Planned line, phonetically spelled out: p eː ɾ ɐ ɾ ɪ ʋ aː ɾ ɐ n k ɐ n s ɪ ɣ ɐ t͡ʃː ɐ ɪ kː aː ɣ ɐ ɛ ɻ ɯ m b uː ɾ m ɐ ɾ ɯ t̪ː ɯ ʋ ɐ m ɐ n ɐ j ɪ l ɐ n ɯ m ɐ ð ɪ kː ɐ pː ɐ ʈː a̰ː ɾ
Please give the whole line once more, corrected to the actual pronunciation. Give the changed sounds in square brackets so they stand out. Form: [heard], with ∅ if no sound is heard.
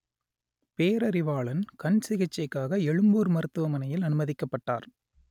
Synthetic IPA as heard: p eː ɾ ɐ ɾ ɪ ʋ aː [ɭ] ɐ n k ɐ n s ɪ ɣ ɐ t͡ʃː ɐ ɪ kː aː ɣ ɐ ɛ ɻ ɯ m b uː ɾ m ɐ ɾ ɯ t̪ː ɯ ʋ ɐ m ɐ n ɐ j ɪ l ɐ n ɯ m ɐ ð ɪ kː ɐ pː ɐ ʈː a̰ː ɾ